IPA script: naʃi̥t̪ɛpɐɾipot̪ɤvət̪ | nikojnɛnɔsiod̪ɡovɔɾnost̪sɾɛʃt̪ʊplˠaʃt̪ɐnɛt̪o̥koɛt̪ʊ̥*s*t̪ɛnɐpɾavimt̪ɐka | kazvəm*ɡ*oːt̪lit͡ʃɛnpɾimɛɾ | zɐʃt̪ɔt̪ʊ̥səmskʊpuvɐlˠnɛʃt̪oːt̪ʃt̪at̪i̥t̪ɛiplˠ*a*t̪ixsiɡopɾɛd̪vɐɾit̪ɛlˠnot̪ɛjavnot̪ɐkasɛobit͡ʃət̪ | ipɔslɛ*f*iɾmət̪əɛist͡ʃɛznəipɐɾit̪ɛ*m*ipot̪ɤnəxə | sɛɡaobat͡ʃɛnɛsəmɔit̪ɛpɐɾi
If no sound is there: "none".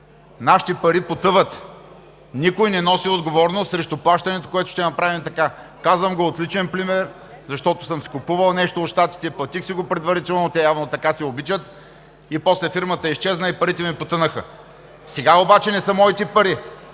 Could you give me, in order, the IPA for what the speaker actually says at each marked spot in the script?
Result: ʃ, ɡ, ɐ, f, m

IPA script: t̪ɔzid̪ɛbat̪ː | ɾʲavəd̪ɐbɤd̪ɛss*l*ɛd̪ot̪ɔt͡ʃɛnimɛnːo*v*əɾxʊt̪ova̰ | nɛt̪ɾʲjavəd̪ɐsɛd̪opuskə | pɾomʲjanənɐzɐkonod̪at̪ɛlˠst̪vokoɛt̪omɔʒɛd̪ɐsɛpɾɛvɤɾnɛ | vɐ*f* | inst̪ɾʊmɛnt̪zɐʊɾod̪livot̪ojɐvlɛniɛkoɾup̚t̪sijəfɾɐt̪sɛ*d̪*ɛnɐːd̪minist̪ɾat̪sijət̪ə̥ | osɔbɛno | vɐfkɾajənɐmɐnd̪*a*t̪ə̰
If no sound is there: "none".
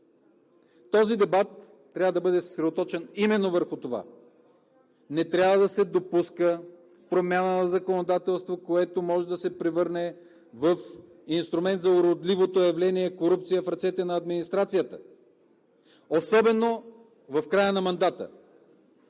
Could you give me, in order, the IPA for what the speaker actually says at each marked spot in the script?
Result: ɾ, v, f, t̪, a

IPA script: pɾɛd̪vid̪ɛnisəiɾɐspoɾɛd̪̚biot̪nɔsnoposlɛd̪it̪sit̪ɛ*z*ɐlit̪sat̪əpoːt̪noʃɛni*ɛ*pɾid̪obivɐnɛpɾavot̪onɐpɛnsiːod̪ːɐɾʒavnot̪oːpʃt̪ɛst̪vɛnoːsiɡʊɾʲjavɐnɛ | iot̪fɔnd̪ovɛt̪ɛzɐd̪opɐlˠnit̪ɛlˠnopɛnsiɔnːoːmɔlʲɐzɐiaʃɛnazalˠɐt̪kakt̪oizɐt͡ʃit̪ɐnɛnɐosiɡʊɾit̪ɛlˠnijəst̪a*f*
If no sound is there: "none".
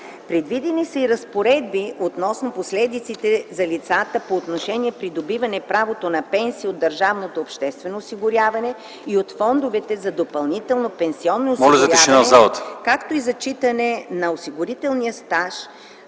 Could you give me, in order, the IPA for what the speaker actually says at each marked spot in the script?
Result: z, ɛ, ʃ

